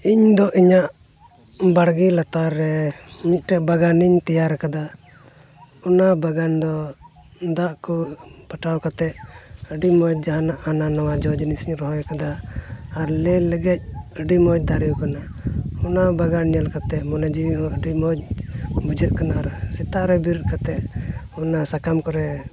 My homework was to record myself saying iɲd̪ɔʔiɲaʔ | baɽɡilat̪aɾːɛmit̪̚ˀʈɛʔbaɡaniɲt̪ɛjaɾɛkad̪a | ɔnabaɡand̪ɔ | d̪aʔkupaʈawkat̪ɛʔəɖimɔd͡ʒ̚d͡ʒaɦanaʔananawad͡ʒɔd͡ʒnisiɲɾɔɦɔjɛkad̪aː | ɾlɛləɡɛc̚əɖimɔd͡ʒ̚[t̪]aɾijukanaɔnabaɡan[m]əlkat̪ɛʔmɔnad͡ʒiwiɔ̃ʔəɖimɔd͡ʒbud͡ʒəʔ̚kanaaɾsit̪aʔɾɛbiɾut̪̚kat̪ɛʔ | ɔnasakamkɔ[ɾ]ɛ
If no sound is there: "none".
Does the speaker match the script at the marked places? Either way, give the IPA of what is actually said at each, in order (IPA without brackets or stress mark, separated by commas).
d̪, ɲ, ɾ